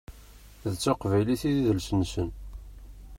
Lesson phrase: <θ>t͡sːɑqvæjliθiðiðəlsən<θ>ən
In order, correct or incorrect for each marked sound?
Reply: incorrect: ð, incorrect: s

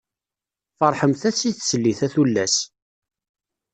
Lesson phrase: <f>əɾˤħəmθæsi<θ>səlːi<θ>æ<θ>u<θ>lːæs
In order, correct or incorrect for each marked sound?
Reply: correct, correct, correct, correct, incorrect: none

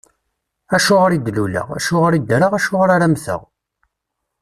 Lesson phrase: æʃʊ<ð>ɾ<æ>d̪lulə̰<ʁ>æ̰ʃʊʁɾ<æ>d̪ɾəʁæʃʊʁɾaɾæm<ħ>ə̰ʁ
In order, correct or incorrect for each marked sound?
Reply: incorrect: ʁ, incorrect: i, correct, incorrect: i, incorrect: θ

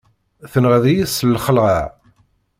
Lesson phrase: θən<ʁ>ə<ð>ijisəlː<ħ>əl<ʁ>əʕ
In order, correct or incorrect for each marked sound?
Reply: correct, correct, incorrect: χ, correct

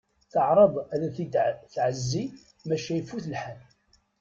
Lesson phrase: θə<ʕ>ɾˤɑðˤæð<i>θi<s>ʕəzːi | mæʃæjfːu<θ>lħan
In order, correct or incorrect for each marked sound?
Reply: correct, incorrect: æ, incorrect: θ, correct

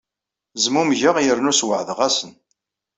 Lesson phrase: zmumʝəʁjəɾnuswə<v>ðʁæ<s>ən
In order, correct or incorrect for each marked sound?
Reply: incorrect: ʕ, correct

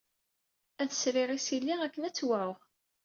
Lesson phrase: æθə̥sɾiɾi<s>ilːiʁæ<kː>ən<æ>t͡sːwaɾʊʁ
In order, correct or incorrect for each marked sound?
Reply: correct, correct, correct

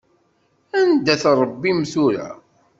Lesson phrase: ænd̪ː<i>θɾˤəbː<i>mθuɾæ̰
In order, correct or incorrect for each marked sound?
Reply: incorrect: æ, correct

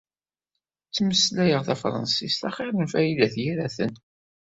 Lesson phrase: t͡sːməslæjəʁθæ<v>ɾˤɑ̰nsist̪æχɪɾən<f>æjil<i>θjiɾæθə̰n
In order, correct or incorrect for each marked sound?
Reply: incorrect: f, correct, incorrect: æ

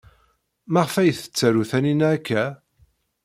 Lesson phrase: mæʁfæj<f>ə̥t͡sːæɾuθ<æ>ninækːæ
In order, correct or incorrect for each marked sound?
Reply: incorrect: θ, correct

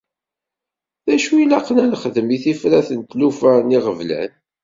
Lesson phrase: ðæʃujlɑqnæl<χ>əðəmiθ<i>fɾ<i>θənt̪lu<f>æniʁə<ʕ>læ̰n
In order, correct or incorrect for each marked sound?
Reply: correct, correct, incorrect: æ, correct, incorrect: v

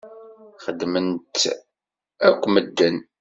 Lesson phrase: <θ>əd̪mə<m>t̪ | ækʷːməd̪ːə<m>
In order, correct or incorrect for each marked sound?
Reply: incorrect: χ, incorrect: n, incorrect: n

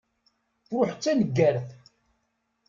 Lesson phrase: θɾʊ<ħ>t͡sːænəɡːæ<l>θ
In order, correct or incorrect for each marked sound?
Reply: correct, incorrect: ɾ

